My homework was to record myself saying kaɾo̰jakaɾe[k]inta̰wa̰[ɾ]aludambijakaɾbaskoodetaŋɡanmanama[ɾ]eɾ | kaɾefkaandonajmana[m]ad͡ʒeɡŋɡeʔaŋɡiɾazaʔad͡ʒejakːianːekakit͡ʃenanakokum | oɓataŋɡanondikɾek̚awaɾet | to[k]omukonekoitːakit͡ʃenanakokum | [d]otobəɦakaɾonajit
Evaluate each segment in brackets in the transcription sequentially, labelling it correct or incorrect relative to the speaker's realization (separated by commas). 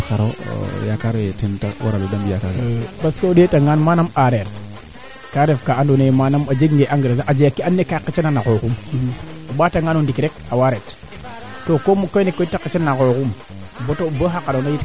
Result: incorrect, correct, correct, correct, correct, incorrect